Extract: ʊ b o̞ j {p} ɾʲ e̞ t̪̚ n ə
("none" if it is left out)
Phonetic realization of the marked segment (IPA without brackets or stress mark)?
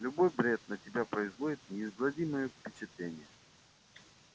b